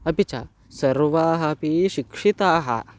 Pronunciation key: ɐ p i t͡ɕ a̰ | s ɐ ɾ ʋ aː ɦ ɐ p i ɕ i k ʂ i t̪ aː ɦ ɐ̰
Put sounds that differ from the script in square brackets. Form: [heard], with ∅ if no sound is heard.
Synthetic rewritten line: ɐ p i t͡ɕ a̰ | s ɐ ɾ ʋ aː ɦ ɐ p i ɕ i k ʂ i t̪ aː ɦ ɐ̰